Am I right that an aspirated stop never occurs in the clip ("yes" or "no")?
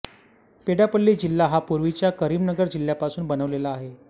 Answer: yes